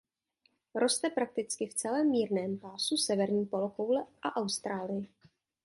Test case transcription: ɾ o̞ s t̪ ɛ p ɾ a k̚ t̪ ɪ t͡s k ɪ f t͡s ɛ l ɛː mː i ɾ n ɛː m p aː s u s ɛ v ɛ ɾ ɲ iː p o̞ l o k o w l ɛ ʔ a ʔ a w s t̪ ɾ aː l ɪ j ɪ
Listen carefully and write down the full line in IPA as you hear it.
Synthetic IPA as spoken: ɾ o̞ s t̪ ɛ p ɾ a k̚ t̪ ɪ t͡s k ɪ f t͡s ɛ l ɛː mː iː ɾ n ɛː m p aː s u s ɛ v ɛ ɾ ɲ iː p o̞ l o k o w l ɛ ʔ a ʔ a w s t̪ ɾ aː l ɪ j ɪ

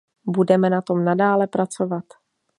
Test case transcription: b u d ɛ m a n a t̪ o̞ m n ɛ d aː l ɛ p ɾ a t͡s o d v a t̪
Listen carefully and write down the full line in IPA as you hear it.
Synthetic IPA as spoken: b u d ɛ m ɛ n a t̪ o̞ m n a d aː l ɛ p ɾ a t͡s o v a t̪

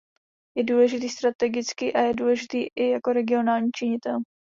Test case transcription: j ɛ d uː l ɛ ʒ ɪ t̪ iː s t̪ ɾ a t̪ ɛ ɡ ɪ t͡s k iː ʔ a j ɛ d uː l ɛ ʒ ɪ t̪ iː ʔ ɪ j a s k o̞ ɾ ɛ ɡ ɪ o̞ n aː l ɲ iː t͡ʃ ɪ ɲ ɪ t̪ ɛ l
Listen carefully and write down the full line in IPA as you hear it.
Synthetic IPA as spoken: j ɛ d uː l ɛ ʒ ɪ t̪ iː s t̪ ɾ a t̪ ɛ ɡ ɪ t͡s k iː ʔ a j ɛ d uː l ɛ ʒ ɪ t̪ iː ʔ ɪ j a k o̞ ɾ ɛ ɡ ɪ o̞ n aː l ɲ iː t͡ʃ ɪ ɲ ɪ t̪ ɛ l

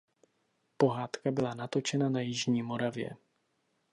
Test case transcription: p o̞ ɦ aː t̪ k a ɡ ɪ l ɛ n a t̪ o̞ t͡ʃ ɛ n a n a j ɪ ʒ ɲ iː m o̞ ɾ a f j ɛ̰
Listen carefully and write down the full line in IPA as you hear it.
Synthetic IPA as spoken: p o̞ ɦ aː t̪ k a b ɪ l a n a t̪ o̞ t͡ʃ ɛ n a n a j ɪ ʒ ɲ iː m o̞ ɾ a v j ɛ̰

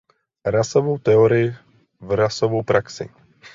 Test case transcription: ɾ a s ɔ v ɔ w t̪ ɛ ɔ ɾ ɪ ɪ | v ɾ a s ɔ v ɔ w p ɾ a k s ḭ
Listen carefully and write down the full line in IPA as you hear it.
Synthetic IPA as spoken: ɾ a s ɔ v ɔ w t̪ ɛ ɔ ɾ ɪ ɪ | v ɾ a s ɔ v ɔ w p ɾ a k s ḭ

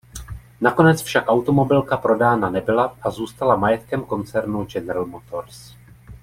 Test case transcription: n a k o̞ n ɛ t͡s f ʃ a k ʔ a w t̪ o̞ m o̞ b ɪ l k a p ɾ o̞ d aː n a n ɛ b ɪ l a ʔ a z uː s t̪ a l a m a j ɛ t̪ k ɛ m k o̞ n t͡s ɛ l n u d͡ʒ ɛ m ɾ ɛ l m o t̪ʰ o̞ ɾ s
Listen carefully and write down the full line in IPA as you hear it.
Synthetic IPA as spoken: n a k o̞ n ɛ t͡s f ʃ a k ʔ a w t̪ o̞ m o̞ b ɪ l k a p ɾ o̞ d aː n a n ɛ b ɪ l a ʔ a z uː s t̪ a l a m a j ɛ t̪ k ɛ m k o̞ n t͡s ɛ ɾ n u d͡ʒ ɛ n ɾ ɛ l m o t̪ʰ o̞ ɾ s

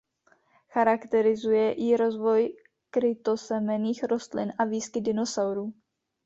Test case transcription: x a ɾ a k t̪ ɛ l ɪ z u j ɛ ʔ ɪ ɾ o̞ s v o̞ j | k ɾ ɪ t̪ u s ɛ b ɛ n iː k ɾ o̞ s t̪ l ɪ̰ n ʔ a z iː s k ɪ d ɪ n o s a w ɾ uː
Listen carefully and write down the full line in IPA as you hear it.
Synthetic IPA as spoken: x a ɾ a k t̪ ɛ ɾ ɪ z u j ɛ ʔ ɪ ɾ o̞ z v o̞ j | k ɾ ɪ t̪ o s ɛ m ɛ n iː x ɾ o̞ s t̪ l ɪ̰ n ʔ a v iː s k ɪ d ɪ n o s a w ɾ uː

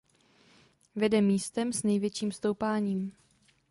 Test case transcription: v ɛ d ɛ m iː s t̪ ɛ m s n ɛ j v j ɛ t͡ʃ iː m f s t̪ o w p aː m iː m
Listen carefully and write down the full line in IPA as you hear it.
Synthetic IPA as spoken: v ɛ d ɛ m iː s t̪ ɛ m s n ɛ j v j ɛ t͡ʃ iː m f s t̪ o w p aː ɲ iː m

